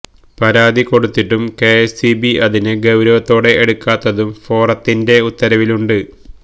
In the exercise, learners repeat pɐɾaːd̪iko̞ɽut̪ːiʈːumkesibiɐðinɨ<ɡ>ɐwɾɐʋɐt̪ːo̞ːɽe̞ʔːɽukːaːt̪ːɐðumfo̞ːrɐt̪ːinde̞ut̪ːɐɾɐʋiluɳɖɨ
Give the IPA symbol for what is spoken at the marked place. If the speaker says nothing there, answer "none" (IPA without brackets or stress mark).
ɡ